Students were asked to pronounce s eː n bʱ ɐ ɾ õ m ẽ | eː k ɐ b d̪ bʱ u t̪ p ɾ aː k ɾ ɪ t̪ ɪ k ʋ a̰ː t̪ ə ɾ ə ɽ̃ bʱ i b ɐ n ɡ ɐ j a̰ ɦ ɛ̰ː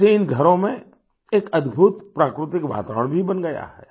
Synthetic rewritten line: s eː n ɡʱ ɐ ɾ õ m ẽ | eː k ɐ d̪ bʱ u t̪ p ɾ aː k ɾ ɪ t̪ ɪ k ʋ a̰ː t̪ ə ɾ ə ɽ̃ bʱ i b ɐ n ɡ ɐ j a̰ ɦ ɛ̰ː